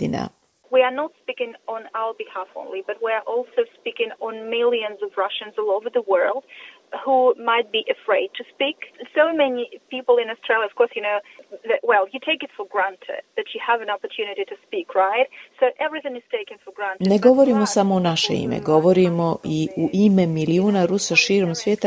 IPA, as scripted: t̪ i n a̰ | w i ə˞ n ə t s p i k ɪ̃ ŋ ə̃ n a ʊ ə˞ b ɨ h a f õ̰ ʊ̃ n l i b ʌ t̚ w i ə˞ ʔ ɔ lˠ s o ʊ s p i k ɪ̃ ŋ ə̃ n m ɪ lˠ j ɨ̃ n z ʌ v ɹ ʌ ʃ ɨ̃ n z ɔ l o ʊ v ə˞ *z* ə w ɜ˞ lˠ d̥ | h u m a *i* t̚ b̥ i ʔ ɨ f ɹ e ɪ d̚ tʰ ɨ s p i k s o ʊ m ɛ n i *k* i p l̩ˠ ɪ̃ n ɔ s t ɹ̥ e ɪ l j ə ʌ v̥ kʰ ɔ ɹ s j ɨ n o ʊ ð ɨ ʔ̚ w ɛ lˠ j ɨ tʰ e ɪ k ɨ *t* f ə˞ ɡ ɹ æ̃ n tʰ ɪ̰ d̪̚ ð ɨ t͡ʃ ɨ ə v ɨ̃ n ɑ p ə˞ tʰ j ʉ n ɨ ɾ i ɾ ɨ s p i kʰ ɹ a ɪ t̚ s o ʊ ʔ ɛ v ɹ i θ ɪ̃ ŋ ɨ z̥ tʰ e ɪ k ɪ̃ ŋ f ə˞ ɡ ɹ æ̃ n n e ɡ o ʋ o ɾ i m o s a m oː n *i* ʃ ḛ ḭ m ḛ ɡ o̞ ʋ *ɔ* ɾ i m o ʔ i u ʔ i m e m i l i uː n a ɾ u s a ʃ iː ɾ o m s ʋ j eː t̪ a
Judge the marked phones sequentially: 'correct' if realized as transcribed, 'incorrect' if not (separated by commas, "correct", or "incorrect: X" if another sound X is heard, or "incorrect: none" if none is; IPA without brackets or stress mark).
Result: incorrect: ð, incorrect: ɪ, incorrect: p, correct, incorrect: a, incorrect: o